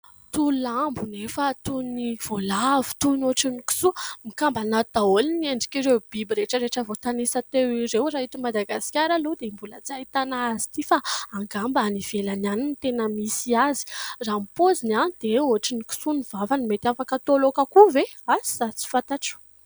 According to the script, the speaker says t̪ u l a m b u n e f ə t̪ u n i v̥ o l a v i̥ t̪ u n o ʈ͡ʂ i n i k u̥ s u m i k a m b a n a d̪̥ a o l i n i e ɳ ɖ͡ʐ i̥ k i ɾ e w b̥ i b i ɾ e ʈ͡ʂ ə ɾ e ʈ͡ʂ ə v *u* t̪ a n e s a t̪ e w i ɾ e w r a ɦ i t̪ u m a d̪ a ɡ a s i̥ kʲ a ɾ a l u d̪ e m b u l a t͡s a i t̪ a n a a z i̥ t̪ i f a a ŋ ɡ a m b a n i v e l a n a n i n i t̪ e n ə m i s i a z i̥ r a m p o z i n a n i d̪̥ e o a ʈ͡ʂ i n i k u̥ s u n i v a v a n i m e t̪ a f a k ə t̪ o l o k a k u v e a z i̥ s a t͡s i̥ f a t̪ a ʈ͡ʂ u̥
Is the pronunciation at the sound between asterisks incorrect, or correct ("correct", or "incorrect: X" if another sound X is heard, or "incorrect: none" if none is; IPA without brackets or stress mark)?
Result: incorrect: o